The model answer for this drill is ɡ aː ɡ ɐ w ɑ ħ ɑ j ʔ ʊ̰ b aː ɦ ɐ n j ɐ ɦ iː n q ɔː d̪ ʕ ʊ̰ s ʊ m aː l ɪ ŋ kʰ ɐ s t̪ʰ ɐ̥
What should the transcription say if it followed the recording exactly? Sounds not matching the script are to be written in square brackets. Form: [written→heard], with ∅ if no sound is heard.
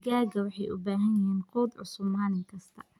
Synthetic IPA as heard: ɡ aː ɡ ɐ w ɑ ħ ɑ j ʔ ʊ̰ b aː ɦ ɐ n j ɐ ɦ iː n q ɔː d̪ ʕ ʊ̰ s ʊ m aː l ɪ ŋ kʰ ɐ s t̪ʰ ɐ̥